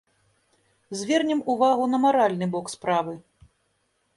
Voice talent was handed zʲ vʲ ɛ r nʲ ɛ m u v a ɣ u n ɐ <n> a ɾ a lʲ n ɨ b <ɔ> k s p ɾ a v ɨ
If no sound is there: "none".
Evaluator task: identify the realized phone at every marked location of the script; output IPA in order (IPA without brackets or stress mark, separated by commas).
m, ɔ